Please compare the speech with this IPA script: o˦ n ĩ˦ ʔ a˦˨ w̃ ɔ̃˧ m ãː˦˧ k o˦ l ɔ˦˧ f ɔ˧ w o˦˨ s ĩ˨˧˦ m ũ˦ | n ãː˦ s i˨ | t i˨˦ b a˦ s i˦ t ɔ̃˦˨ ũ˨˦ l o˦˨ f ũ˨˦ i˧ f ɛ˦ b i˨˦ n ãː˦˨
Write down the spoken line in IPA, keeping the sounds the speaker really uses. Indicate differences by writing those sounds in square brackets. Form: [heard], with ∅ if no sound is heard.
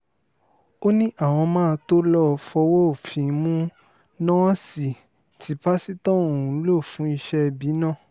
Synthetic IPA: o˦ n ĩ˦ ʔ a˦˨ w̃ ɔ̃˧ m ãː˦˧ [t] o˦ l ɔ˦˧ f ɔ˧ w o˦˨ [f] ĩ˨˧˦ m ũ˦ | n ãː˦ s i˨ | t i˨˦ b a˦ s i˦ t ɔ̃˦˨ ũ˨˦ l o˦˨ f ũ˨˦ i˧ [ʃ] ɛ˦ b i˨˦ n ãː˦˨